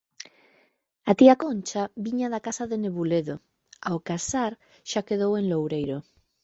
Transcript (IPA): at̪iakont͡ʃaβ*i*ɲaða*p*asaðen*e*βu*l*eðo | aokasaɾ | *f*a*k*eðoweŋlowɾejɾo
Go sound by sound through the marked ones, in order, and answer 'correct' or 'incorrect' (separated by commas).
correct, incorrect, correct, correct, incorrect, correct